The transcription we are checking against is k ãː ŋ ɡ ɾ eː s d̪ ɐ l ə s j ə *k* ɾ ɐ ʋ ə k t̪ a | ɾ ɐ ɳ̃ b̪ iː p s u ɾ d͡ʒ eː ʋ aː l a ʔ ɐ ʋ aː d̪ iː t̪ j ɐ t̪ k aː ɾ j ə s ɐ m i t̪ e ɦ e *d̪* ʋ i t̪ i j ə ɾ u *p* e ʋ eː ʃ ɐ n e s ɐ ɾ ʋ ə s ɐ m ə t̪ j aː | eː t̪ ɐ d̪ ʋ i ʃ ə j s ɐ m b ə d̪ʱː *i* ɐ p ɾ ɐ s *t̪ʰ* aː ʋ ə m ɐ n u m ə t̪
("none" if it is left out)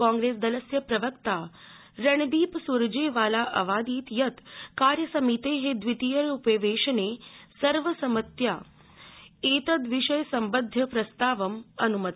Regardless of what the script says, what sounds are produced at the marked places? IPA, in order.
p, d̪, p, j, t̪

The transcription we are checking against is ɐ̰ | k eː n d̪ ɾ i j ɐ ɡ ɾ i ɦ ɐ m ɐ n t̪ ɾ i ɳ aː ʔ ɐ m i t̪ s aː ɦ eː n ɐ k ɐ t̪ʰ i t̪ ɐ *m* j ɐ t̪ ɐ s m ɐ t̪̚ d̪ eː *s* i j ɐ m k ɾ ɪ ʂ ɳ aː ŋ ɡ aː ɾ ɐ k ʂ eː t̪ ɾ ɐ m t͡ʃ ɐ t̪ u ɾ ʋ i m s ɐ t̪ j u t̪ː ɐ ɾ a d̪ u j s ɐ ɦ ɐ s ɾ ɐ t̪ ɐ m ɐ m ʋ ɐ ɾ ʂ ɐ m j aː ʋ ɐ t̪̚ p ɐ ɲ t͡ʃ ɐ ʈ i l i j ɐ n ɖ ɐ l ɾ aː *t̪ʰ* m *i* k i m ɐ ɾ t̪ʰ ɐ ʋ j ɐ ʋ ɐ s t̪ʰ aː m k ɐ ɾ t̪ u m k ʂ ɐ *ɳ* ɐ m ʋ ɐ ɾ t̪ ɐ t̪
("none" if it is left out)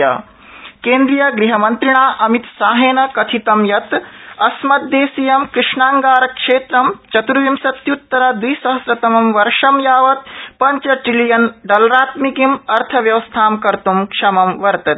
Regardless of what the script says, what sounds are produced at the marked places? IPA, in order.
m, s, t̪, i, m

